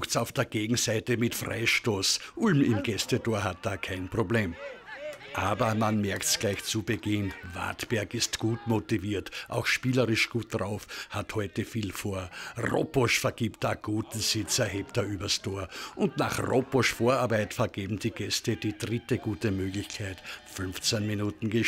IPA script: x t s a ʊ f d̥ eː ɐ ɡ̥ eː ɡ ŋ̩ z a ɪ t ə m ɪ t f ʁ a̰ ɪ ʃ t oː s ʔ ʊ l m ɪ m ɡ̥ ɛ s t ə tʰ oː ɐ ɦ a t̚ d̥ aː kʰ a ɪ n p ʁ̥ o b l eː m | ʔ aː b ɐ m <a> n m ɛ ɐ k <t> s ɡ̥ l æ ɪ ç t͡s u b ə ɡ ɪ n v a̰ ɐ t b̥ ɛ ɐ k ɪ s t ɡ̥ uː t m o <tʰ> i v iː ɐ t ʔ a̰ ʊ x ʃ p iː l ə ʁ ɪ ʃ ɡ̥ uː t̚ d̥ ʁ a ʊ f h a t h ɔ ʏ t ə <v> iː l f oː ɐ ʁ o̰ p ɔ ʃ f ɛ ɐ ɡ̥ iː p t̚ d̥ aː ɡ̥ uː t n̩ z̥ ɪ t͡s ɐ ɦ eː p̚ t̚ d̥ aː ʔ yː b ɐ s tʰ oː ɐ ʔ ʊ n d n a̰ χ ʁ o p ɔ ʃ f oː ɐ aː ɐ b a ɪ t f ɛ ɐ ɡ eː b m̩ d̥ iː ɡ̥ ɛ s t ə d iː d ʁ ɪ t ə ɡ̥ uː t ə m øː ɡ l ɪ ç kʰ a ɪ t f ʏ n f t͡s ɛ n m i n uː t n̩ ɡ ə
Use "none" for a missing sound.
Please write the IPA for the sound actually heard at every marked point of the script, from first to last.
a, t, t, f

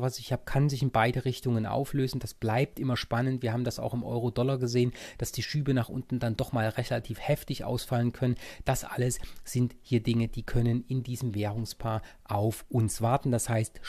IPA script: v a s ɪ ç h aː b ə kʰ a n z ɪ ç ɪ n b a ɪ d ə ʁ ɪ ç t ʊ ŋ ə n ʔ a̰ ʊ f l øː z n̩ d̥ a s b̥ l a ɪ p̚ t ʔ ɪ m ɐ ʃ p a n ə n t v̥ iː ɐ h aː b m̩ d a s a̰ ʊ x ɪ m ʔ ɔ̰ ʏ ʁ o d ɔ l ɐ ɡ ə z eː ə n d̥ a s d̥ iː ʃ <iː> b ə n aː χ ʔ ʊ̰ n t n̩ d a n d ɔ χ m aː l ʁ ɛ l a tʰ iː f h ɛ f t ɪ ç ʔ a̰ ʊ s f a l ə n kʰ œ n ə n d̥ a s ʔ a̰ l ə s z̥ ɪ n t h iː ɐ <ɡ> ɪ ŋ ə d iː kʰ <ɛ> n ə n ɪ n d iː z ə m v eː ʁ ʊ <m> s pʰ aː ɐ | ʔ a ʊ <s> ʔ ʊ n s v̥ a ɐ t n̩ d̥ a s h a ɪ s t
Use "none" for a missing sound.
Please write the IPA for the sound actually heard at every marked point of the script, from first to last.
yː, d, œ, ŋ, f

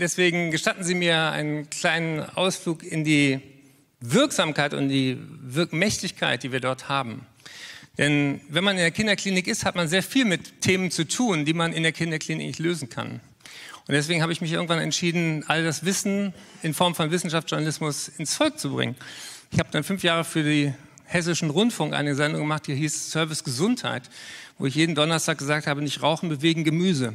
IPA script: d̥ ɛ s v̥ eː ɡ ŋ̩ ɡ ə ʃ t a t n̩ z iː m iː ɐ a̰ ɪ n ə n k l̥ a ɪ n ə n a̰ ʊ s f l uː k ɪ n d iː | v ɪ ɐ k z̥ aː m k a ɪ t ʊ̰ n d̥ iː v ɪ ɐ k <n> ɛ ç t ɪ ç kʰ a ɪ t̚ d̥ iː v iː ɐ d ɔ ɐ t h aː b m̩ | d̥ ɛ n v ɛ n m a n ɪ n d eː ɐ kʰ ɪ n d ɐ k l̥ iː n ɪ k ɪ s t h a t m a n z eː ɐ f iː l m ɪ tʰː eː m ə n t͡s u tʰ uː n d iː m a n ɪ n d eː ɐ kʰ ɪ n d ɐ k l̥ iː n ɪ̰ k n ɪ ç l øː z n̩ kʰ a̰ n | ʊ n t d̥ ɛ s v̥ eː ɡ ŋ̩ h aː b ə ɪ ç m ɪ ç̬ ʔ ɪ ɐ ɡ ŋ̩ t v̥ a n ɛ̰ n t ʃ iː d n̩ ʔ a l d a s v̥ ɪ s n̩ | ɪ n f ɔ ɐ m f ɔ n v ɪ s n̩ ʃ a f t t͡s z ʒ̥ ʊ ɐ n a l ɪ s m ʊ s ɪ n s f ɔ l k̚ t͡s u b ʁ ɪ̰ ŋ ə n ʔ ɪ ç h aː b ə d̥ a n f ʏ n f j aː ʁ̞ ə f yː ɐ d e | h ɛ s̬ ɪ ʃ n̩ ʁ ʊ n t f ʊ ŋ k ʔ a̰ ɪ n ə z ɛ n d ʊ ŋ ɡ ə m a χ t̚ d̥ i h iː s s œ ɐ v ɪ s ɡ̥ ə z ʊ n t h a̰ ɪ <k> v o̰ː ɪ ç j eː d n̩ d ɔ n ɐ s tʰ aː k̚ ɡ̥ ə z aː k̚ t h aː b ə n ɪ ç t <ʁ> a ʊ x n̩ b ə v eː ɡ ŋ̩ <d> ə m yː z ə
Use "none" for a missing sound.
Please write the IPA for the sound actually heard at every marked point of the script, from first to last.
m, t, ʁ, ɡ

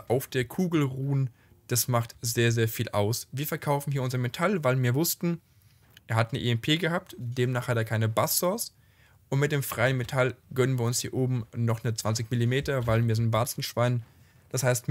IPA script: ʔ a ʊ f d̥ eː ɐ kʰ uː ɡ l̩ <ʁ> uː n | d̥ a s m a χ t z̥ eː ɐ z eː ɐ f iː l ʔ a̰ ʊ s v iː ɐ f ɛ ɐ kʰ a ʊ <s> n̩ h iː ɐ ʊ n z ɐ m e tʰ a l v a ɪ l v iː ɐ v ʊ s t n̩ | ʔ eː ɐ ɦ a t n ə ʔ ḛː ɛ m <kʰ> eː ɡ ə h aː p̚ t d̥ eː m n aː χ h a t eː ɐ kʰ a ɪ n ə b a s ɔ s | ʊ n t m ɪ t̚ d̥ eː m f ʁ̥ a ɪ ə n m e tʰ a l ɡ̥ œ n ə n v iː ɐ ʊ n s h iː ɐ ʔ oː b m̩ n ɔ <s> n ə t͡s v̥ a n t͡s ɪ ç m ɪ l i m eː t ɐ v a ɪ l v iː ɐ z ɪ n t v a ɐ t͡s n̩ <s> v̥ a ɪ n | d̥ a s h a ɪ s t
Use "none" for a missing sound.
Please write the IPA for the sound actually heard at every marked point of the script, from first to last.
ʁ, f, pʰ, χ, ʃ

